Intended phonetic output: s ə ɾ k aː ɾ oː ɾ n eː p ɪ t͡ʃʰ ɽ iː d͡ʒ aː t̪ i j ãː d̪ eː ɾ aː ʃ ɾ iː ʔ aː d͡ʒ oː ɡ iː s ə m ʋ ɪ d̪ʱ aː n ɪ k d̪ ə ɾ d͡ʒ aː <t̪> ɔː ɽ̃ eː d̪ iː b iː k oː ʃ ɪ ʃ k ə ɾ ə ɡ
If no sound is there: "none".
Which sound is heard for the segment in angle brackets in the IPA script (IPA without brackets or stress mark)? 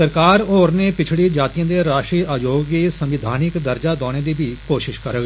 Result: d̪